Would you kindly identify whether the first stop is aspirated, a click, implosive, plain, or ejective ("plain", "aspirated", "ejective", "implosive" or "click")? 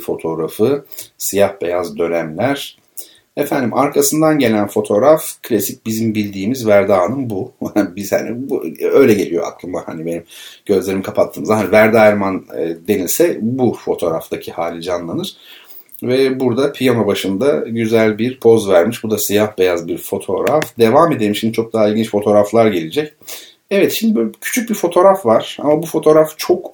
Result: aspirated